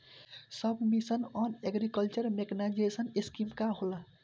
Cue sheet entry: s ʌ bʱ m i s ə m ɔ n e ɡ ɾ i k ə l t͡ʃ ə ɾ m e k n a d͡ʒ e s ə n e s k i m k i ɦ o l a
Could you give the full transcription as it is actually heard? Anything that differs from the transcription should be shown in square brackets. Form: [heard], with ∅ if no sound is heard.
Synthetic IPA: s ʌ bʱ m i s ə [n] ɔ n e ɡ ɾ i k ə l t͡ʃ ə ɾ m e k n a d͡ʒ e s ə n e s k i m k [a] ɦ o l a